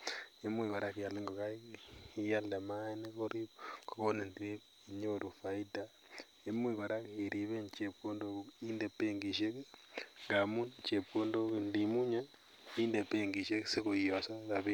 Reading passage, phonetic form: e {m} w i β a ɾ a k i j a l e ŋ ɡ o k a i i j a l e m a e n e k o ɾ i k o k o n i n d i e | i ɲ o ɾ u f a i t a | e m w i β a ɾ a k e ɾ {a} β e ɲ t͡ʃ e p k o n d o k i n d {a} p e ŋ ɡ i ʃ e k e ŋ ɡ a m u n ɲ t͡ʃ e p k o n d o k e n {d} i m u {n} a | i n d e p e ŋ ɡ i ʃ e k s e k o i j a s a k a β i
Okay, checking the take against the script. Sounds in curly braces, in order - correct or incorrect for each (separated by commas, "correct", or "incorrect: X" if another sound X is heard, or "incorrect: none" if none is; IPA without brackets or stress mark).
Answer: correct, incorrect: i, incorrect: e, correct, incorrect: ɲ